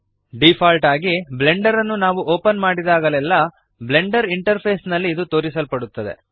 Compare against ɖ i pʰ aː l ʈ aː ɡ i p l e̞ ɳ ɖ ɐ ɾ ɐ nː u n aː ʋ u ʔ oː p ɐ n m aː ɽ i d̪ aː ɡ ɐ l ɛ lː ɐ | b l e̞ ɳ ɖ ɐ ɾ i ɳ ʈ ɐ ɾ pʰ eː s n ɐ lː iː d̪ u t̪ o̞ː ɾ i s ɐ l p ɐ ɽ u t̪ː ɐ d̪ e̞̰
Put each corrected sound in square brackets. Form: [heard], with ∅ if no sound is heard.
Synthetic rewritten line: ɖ i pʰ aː l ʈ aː ɡ i [b] l e̞ ɳ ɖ ɐ ɾ ɐ nː u n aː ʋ u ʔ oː p ɐ n m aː ɽ i d̪ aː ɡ ɐ l ɛ lː ɐ | b l e̞ ɳ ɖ ɐ ɾ i ɳ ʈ ɐ ɾ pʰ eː s n ɐ lː iː d̪ u t̪ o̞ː ɾ i s ɐ l p ɐ ɽ u t̪ː ɐ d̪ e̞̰